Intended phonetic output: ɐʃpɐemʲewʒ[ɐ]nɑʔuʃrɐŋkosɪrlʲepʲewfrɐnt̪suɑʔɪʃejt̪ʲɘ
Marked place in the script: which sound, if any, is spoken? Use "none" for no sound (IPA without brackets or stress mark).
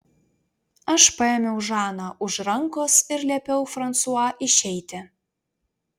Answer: ɑ